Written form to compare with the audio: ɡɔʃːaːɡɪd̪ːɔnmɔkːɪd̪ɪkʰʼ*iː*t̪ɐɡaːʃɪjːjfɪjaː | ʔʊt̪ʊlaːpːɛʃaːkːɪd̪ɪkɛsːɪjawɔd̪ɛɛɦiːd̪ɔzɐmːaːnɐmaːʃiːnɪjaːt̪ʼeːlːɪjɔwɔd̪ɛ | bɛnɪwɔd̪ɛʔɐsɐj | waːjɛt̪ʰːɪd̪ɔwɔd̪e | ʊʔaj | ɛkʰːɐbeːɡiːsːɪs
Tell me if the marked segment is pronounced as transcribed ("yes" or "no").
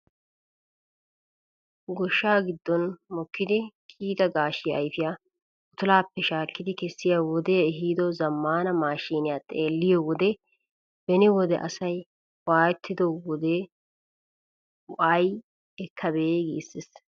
yes